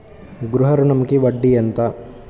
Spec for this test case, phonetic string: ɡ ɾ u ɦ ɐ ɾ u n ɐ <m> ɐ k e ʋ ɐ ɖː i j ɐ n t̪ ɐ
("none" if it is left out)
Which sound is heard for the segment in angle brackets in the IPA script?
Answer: m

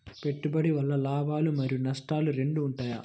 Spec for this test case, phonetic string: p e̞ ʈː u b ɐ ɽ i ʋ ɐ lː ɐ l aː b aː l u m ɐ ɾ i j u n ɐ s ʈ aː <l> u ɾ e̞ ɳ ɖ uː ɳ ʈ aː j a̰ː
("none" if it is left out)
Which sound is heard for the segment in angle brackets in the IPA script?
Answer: l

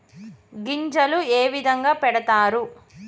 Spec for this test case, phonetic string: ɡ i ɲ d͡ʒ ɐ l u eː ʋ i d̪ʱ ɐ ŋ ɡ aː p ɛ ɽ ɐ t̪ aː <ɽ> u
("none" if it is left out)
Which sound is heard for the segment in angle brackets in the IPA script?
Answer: ɾ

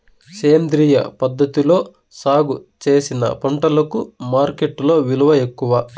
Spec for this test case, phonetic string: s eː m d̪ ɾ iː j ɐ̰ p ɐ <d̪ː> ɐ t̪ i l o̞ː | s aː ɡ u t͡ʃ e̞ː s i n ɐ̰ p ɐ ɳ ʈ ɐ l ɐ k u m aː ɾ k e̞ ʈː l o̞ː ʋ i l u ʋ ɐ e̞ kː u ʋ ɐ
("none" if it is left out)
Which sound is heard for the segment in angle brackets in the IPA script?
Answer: d̪ː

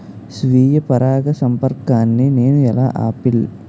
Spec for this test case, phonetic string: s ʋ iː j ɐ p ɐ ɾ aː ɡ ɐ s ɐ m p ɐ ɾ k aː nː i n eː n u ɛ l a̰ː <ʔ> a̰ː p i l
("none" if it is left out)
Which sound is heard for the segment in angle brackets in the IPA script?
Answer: ʔ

